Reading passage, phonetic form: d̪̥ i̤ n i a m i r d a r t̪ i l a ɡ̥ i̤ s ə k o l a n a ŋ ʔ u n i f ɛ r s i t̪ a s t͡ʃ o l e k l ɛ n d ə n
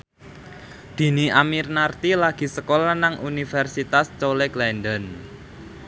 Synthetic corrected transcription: d̪̥ i̤ n i a m i r n a r t̪ i l a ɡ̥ i̤ s ə k o l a n a ŋ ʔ u n i f ɛ r s i t̪ a s t͡ʃ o l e k l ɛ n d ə n

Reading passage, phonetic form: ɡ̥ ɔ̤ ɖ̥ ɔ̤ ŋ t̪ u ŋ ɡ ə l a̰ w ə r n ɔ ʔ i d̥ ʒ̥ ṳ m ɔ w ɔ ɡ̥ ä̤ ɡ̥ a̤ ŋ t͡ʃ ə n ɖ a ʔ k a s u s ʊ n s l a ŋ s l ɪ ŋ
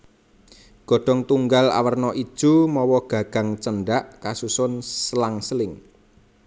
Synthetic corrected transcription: ɡ̥ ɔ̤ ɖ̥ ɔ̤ ŋ t̪ u ŋ ɡ a l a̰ w ə r n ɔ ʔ i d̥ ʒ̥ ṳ m ɔ w ɔ ɡ̥ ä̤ ɡ̥ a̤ ŋ t͡ʃ ə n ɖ a ʔ k a s u s ʊ n s l a ŋ s l ɪ ŋ

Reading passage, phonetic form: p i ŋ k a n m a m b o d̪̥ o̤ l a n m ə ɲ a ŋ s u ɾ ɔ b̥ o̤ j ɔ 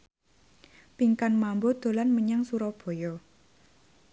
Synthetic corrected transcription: p i ŋ k a n m a m b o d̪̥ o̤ l a n m ə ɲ a ŋ s u ɾ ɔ b̥ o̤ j ɔ

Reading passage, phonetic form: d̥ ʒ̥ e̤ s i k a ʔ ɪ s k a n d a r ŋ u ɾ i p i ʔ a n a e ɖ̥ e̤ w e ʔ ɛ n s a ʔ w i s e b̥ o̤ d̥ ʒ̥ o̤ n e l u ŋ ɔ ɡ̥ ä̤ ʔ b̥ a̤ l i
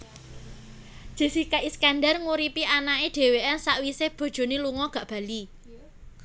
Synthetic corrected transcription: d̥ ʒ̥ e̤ s i k a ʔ i s k a n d a r ŋ u ɾ i p i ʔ a n a e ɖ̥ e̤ w e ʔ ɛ n s a ʔ w i s e b̥ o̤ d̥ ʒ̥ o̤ n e l u ŋ ɔ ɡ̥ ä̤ ʔ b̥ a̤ l i

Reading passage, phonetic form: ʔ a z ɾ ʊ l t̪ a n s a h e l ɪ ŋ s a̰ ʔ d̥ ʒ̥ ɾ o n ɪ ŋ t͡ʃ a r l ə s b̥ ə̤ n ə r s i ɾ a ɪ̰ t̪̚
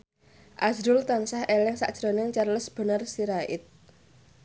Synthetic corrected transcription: ʔ a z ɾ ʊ l t̪ a n s a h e l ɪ ŋ s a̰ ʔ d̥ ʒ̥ ɾ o n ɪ ŋ t͡ʃ a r l ə s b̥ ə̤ n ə r s i ɾ a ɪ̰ t̪̚

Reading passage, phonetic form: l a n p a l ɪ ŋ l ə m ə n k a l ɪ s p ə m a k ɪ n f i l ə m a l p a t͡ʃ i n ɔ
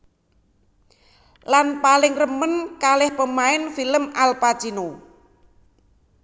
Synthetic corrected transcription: l a n p a l ɪ ŋ r ə m ə n k a l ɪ h p ə m a ɪ n f i l ə m a l p a t͡ʃ i n o

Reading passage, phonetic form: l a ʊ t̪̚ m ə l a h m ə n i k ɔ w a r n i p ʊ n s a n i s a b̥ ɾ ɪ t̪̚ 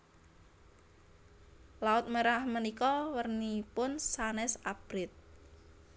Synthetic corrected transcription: l a ʊ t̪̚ m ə ɾ a h m ə n i k ɔ w ə r n i p ʊ n s a n ɛ s a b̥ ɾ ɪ t̪̚

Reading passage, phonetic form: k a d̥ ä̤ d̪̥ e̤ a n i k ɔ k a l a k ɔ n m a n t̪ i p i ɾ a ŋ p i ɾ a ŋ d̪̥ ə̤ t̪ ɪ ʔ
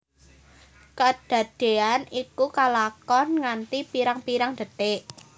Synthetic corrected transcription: k a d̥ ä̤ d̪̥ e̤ a n i k u k a l a k ɔ n ŋ a n t̪ i p i ɾ a ŋ p i ɾ a ŋ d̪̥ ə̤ t̪ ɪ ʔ

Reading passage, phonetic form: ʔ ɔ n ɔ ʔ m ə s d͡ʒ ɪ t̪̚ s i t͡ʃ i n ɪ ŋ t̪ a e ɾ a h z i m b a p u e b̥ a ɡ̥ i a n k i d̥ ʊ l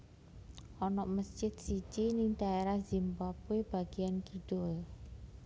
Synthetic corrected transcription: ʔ ɔ n ɔ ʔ m ə s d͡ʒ ɪ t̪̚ s i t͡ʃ i n ɪ ŋ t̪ a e ɾ a h z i m b a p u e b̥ a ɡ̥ i a n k i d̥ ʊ l

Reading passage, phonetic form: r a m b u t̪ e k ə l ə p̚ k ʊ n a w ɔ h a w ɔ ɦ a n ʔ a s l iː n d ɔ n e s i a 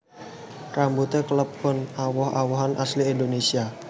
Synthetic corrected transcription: r a m b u t̪ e k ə l ə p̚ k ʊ n a w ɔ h a w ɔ ɦ a n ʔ a s l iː n d o n e s i a

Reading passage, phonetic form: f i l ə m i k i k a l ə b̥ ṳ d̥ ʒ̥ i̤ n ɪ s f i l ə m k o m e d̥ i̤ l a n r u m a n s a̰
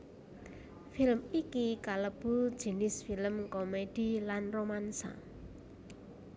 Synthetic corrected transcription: f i l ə m i k i k a l ə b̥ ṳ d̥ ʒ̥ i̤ n ɪ s f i l ə m k o m e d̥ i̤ l a n r o m a n s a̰

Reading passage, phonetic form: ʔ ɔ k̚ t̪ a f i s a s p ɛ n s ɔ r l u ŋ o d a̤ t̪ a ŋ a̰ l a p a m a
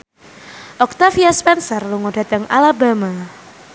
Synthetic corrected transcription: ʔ ɔ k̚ t̪ a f i a s p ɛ n s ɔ r l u ŋ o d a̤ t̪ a ŋ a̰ l a b a m a

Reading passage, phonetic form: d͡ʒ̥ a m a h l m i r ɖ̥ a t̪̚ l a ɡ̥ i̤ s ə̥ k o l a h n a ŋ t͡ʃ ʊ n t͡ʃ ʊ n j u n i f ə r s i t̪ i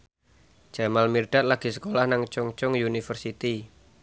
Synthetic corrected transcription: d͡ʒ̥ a m a l m i r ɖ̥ a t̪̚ l a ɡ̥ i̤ s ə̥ k o l a h n a ŋ t͡ʃ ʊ ŋ t͡ʃ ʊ ŋ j u n i f ə r s i t̪ i

